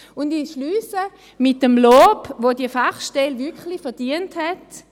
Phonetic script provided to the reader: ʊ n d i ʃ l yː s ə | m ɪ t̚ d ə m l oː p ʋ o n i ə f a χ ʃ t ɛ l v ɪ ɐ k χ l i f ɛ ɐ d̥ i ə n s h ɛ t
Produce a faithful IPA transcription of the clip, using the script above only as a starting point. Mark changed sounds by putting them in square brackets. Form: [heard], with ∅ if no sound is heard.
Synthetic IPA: ʊ n d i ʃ l yː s ə | m ɪ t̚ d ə m l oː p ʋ o [d] i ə f a χ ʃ t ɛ l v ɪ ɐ k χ l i f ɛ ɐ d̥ i ə n [t] h ɛ t